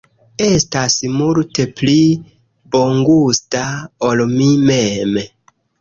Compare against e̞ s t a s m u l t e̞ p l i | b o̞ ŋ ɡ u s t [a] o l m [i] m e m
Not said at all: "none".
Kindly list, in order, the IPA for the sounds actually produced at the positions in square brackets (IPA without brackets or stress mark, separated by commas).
a, i